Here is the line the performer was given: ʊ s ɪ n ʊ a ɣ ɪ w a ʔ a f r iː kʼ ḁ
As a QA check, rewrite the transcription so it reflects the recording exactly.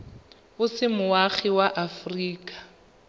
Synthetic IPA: ʊ s ɪ m ʊ a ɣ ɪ w a ʔ a f r iː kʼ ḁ

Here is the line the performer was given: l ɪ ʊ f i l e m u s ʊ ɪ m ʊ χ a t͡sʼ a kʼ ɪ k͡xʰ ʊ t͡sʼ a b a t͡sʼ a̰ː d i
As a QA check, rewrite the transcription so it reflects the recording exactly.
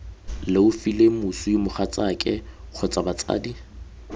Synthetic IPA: l ɪ ʊ f i l e m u s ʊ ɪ m ʊ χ a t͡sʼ a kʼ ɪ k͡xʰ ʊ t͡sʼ a b a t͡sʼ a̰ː d i

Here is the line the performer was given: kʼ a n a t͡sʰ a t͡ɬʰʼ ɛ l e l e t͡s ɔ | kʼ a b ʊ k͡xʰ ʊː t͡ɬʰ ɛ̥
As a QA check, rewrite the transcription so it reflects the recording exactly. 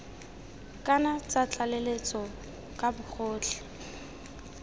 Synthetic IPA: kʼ a n a t͡s a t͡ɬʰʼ a l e l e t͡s ɔ | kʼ a b ʊ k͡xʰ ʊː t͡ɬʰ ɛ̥

